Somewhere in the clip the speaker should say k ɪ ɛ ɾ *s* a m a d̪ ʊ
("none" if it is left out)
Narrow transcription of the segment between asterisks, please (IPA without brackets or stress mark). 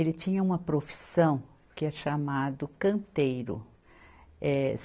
ʃ